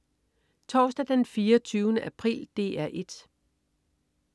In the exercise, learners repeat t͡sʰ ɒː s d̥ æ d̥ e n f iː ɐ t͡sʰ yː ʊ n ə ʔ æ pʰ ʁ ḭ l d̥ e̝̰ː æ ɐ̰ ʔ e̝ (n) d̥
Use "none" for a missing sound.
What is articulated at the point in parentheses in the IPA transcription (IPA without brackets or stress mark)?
none